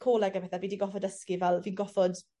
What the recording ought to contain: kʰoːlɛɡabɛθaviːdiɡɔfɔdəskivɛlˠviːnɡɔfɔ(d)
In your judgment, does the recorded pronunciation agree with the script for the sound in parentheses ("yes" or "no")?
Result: yes